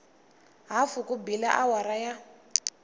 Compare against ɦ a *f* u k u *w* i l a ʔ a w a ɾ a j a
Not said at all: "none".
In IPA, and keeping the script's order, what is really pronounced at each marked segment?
f, b

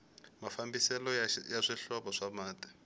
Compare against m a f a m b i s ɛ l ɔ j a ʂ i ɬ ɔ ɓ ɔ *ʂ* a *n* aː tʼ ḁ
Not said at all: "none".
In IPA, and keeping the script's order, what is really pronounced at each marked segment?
ʂ, m

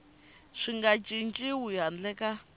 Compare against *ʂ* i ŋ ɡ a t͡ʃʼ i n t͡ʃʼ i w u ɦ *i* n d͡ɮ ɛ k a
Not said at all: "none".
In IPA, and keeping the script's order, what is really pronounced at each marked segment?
ʂ, a

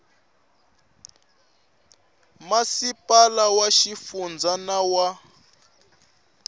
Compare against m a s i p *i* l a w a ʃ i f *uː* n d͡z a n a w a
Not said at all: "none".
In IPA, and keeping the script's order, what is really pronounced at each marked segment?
a, u

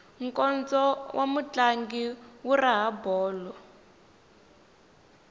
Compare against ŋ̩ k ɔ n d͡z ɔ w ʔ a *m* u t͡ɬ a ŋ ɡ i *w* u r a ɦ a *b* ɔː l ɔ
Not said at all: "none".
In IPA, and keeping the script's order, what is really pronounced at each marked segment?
m, w, b

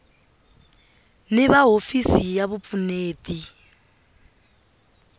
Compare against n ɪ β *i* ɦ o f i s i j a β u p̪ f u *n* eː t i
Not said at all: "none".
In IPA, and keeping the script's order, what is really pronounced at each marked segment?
a, n

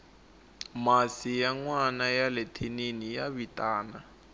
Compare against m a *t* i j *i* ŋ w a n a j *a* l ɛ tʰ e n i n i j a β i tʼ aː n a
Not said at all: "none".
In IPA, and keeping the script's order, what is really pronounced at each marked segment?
s, a, a

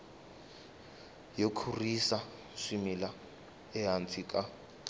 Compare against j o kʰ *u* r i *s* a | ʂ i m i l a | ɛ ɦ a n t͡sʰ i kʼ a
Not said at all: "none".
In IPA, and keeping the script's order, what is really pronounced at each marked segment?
u, s

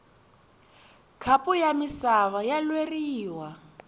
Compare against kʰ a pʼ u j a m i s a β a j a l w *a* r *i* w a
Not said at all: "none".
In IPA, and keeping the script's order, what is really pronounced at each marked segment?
e, iː

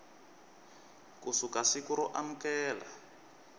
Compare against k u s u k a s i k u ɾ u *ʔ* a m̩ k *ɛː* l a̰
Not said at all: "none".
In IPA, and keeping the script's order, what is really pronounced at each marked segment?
ʔ, ɛː

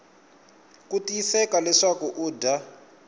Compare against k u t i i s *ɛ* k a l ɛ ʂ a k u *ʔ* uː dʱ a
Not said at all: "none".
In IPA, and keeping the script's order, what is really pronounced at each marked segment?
ɛ, ʔ

